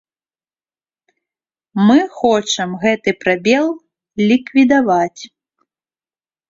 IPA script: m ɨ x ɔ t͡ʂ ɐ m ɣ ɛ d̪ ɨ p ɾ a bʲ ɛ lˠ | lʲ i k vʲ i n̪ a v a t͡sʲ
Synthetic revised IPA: m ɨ x ɔ t͡ʂ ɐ m ɣ ɛ t̪ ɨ p ɾ a bʲ ɛ lˠ | lʲ i k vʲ i d̪ a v a t͡sʲ